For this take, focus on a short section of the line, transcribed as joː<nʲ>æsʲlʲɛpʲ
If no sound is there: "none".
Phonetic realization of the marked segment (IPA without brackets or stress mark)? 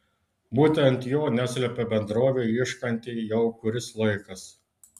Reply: nʲ